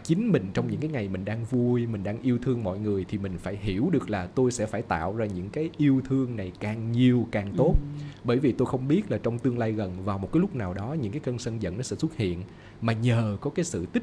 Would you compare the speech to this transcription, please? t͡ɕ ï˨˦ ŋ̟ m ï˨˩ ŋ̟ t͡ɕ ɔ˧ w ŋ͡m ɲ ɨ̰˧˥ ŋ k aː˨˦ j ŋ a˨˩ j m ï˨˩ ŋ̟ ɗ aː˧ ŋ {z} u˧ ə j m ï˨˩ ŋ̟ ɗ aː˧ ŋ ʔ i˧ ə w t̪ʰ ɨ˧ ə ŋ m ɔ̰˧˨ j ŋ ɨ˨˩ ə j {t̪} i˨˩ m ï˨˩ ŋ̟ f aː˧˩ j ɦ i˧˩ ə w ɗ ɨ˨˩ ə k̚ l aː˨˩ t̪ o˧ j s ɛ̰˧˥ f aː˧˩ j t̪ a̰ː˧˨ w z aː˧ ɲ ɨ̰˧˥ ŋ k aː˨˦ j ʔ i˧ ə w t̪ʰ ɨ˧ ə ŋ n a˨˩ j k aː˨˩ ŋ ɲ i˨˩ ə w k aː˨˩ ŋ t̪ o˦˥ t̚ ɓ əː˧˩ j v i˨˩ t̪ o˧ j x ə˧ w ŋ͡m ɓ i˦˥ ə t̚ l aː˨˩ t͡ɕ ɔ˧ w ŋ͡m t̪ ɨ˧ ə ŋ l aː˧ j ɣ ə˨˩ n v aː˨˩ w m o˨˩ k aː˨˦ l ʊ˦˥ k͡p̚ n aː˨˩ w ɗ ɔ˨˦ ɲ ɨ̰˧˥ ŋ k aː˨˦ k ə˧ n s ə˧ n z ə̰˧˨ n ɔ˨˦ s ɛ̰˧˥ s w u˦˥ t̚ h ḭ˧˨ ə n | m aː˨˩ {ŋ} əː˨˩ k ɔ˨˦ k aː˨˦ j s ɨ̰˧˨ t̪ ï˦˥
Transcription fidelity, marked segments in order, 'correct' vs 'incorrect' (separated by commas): incorrect, incorrect, incorrect